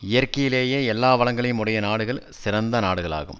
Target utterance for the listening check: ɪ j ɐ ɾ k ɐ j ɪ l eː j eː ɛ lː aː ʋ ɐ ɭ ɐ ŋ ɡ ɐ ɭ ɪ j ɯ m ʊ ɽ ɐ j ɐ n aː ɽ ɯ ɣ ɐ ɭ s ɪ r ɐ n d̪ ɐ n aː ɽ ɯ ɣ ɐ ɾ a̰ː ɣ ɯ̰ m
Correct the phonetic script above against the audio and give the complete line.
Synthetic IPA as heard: ɪ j ɐ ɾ k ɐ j ɪ l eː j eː ɛ lː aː ʋ ɐ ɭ ɐ ŋ ɡ ɐ ɭ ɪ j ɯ m ʊ ɽ ɐ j ɐ n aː ɽ ɯ ɣ ɐ ɭ s ɪ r ɐ n d̪ ɐ n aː ɽ ɯ ɣ ɐ ɭ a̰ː ɣ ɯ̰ m

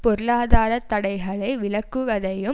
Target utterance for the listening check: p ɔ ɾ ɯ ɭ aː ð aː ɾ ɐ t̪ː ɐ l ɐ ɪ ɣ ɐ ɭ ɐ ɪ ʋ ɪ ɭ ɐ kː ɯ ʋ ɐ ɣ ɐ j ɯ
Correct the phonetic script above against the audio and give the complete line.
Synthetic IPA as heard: p ɔ ɾ ɯ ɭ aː ð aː ɾ ɐ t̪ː ɐ ɽ ɐ ɪ ɣ ɐ ɭ ɐ ɪ ʋ ɪ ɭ ɐ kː ɯ ʋ ɐ ð ɐ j ɯ

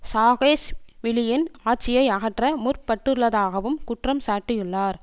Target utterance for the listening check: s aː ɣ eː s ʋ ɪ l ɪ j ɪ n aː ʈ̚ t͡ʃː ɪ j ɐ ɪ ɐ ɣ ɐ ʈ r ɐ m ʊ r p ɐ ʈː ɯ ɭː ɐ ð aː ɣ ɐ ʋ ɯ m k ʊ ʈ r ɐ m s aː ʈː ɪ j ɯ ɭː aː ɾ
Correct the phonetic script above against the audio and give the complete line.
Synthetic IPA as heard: s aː ɣ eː s ʋ ɪ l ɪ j ɪ n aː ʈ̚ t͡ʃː ɪ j ɐ ɪ ɐ ɣ ɐ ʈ r ɐ m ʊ r p ɐ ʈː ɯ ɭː ɐ ð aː ɣ ɐ ʋ ɯ m k ʊ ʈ r ɐ m s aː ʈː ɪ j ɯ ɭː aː ɾ

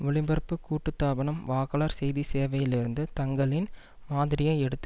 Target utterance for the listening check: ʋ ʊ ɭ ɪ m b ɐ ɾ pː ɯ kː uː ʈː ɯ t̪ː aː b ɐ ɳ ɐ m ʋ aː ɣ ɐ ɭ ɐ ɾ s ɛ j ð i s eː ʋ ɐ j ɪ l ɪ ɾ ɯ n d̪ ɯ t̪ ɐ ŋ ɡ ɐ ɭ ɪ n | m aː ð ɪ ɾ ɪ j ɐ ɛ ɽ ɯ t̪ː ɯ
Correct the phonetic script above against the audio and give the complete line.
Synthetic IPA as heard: ʋ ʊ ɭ ɪ m b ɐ ɾ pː ɯ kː uː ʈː ɯ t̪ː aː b ɐ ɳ ɐ m ʋ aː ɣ ɐ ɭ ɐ ɾ s ɛ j ð i s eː ʋ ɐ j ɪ l ɪ ɾ ɯ n d̪ ɯ t̪ ɐ ŋ ɡ ɐ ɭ ɪ n | m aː ð ɪ ɾ ɪ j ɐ ɛ ɽ ɯ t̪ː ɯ

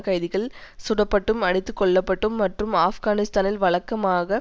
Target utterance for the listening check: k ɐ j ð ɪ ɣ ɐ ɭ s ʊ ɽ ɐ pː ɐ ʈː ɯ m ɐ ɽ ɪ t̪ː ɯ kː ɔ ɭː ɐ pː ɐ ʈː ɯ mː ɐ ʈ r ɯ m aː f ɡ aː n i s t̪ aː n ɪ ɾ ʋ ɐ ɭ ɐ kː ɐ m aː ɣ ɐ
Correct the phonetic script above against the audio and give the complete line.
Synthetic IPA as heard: k ɐ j ð ɪ ɣ ɐ ɭ s ʊ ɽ ɐ pː ɐ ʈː ɯ m ɐ ɽ ɪ t̪ː ɯ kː ɔ ɭː ɐ pː ɐ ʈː ɯ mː ɐ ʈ r ɯ m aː f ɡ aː n ɪ s t̪ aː n ɪ l ʋ ɐ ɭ ɐ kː ɐ m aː ɣ ɐ

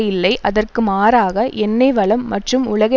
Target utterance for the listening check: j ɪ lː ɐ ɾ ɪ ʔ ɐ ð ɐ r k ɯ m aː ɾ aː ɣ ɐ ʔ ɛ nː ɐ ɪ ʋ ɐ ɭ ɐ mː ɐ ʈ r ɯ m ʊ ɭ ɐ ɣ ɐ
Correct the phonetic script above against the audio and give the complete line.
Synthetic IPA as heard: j ɪ lː ɐ ɪ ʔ ɐ ð ɐ r k ɯ m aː ɾ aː ɣ ɐ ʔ ɛ nː ɐ ɪ ʋ ɐ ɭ ɐ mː ɐ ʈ r ɯ m ʊ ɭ ɐ ɣ ɐ

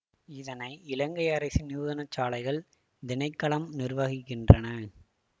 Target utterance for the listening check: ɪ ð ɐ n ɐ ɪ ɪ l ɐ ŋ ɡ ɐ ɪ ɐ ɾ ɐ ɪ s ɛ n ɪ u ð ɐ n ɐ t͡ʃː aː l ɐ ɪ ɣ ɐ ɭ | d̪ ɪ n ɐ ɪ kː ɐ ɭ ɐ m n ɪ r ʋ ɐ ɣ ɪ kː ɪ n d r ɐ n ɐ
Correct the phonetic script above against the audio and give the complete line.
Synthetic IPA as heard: ɪ ð ɐ n ɐ ɪ ɪ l ɐ ŋ ɡ ɐ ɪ ɐ ɾ ɐ ɪ s i n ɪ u ð ɐ n ɐ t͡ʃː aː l ɐ ɪ ɣ ɐ ɭ | d̪ ɪ n ɐ ɪ kː ɐ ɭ ɐ m n ɪ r ʋ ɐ ɣ ɪ kː ɪ n d r ɐ n ɐ

